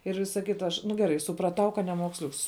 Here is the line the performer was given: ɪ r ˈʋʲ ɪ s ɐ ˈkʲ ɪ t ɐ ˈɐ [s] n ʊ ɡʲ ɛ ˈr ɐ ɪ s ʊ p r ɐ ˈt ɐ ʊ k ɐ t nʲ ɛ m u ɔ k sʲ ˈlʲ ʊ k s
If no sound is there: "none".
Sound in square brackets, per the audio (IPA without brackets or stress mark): ʃ